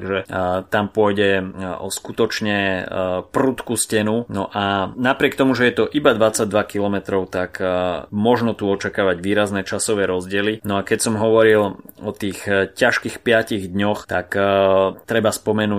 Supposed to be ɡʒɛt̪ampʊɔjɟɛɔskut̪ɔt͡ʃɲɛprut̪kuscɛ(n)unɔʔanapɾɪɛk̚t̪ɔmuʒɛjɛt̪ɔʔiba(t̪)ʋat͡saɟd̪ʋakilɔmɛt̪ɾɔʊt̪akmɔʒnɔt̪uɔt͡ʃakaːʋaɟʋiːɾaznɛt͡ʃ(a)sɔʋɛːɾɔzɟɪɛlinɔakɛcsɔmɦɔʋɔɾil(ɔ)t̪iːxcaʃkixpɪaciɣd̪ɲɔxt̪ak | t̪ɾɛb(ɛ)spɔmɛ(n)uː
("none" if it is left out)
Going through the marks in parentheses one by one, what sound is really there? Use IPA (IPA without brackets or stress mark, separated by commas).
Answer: n, d̪, a, ɔ, a, n